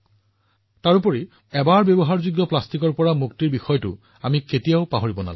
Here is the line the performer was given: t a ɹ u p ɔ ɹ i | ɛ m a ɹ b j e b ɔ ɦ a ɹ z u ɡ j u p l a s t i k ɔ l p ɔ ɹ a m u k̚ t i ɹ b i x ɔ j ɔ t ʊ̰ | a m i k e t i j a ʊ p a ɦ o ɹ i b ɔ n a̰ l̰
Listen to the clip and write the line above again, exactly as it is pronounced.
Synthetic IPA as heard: t a ɹ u p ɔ ɹ i | ɛ b a ɹ b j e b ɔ ɦ a ɹ z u ɡ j ɔ p l a s t i k ɔ ɹ p ɔ ɹ a m u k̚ t i ɹ b i x ɔ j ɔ t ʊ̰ | a m i k e t i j a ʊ p a ɦ o ɹ i b ɔ n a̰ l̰